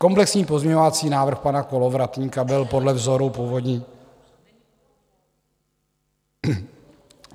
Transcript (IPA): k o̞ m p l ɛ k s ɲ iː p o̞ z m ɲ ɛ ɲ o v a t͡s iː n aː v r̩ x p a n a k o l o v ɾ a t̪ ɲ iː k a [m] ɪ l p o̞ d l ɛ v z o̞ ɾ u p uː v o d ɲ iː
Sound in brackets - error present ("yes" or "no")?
yes